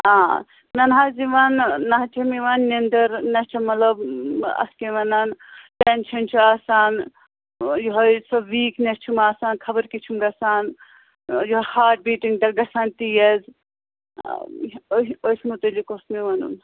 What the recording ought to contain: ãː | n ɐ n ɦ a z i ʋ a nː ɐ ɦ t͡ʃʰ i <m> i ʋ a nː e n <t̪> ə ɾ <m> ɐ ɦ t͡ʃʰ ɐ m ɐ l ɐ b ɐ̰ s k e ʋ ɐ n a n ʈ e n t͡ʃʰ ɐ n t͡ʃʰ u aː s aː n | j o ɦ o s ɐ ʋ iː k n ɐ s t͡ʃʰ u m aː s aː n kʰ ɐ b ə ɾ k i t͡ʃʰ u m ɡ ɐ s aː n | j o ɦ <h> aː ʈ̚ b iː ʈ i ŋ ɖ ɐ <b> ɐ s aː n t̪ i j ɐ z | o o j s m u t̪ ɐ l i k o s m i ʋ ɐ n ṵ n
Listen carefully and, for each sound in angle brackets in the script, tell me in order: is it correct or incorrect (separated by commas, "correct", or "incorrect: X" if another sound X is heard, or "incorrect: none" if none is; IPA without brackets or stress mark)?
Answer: correct, incorrect: d̪, incorrect: n, correct, incorrect: ɡ